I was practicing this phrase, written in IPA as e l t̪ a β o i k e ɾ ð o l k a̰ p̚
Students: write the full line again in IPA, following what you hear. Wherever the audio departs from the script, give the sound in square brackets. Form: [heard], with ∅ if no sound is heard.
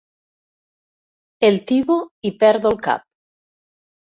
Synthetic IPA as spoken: e l t̪ [i] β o i [p] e ɾ ð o l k a̰ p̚